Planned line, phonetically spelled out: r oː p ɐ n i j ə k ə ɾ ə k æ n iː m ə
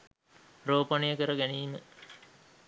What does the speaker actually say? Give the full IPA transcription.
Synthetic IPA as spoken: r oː p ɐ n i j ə k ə ɾ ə ɡ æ n iː m ə